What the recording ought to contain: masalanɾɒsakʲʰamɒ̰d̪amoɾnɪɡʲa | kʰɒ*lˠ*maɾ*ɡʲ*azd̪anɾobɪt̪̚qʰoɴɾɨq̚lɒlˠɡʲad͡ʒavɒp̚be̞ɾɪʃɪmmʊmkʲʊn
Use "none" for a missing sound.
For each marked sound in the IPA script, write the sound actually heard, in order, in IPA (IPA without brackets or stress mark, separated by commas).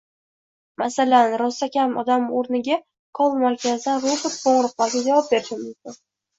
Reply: lˠ, kʲ